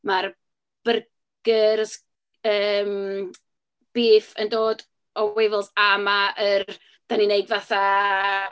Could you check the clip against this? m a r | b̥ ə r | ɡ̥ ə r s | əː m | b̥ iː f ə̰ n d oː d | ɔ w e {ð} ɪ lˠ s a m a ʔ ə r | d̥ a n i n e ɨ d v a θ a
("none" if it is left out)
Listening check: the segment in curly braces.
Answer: v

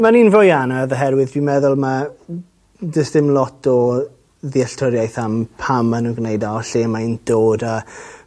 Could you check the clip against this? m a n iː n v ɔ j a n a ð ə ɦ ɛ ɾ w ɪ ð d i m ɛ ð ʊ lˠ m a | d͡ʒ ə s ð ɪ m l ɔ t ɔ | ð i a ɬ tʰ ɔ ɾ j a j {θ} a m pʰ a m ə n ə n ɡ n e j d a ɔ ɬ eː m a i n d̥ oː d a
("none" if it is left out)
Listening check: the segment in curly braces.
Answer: θ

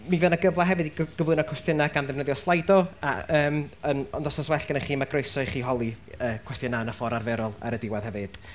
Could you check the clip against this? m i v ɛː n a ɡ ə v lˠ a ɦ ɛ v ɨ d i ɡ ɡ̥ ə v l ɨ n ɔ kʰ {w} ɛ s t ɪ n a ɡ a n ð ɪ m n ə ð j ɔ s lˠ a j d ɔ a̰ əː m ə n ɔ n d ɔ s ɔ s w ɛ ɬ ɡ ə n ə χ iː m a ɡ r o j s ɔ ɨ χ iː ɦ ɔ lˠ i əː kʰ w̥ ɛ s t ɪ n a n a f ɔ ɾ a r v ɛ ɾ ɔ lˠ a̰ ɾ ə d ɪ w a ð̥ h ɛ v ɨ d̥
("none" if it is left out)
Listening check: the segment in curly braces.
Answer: w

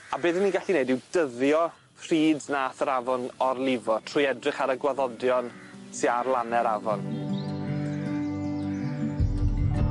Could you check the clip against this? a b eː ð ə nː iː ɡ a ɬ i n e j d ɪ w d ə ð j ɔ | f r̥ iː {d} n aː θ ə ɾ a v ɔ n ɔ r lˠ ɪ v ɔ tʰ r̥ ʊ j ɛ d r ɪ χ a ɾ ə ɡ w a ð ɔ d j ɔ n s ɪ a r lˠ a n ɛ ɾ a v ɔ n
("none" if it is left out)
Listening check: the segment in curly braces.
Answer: d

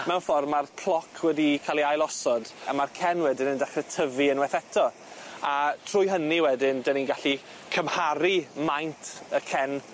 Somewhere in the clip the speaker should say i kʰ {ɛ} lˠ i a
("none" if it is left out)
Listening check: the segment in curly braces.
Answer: a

